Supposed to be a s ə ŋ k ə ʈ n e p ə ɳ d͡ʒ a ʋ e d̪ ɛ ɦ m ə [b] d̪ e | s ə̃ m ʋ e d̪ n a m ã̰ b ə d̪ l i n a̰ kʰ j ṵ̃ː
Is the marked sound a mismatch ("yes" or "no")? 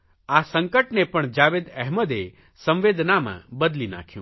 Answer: yes